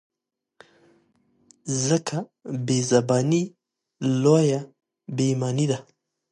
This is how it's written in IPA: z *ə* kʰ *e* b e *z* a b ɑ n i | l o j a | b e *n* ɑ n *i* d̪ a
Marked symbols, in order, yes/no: yes, no, yes, no, yes

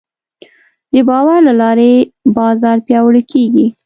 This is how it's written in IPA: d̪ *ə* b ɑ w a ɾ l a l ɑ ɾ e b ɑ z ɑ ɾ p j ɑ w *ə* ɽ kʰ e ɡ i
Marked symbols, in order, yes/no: yes, yes

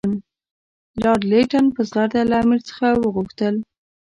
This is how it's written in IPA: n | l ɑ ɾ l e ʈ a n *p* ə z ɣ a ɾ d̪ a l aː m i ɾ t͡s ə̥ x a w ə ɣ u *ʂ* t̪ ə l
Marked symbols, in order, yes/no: yes, no

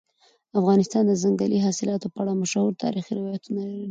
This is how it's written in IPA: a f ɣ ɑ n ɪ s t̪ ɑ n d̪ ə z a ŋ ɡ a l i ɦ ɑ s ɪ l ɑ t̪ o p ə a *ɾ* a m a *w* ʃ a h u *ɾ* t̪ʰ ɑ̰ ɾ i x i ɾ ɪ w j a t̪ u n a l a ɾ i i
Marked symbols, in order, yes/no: no, no, yes

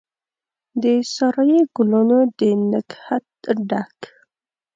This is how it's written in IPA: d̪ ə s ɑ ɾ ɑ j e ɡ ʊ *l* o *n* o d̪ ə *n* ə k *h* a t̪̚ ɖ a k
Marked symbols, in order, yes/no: yes, yes, yes, yes

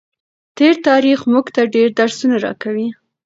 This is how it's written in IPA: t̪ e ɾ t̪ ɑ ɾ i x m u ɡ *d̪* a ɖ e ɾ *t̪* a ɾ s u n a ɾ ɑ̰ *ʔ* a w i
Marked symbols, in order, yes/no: no, no, no

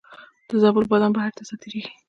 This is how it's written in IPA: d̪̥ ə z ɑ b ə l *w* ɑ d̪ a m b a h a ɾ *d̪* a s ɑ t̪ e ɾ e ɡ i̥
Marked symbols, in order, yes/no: no, no

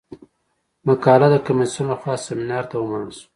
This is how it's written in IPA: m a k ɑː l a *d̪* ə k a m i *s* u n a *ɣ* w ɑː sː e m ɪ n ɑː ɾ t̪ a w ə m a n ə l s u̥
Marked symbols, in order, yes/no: yes, yes, no

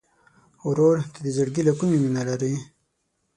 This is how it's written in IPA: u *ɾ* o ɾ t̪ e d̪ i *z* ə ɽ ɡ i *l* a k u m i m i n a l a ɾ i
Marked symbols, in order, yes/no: yes, yes, yes

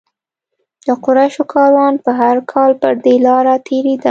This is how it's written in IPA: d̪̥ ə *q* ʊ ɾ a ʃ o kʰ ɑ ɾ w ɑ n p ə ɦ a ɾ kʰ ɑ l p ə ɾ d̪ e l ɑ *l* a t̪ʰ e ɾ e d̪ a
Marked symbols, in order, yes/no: yes, no

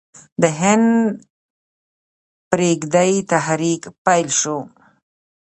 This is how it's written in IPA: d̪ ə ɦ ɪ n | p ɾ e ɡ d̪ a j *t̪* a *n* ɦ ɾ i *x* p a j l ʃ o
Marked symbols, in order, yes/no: yes, no, no

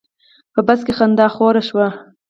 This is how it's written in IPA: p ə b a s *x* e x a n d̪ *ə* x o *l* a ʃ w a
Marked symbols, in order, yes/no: no, no, no

